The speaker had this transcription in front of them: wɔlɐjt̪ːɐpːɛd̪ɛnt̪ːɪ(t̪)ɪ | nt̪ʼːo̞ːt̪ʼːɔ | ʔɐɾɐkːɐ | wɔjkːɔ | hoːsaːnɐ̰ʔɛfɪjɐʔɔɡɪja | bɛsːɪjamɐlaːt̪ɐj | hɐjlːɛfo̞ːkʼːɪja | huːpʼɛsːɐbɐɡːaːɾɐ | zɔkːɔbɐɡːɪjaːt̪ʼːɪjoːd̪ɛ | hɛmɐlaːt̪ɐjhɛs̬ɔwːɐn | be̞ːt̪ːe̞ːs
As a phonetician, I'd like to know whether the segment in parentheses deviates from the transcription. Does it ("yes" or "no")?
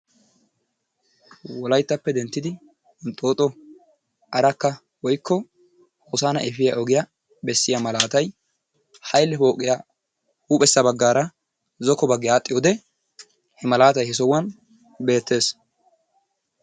yes